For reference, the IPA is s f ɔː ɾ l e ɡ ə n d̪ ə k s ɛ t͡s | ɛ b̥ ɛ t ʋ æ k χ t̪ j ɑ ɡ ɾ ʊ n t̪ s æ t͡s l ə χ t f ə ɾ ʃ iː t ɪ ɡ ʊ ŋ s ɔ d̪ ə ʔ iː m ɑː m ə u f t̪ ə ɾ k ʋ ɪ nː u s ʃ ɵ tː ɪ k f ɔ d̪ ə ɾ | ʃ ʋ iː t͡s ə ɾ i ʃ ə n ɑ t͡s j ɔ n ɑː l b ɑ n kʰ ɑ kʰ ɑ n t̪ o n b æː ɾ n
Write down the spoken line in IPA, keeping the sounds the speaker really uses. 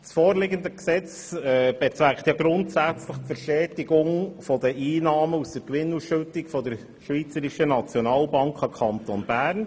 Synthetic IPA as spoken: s f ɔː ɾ l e ɡ ə n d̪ ə k s ɛ t͡s | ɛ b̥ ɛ t͡s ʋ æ k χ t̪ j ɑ ɡ ɾ ʊ n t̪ s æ t͡s l ə χ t f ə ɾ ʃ ɛː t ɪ ɡ ʊ ŋ f ɔ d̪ ə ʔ iː n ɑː m ə u s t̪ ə ɾ k ʋ ɪ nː u s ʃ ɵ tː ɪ k f ɔ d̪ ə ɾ | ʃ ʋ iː t͡s ə ɾ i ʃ ə n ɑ t͡s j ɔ n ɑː l b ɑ ŋ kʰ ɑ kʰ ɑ n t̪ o n b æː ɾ n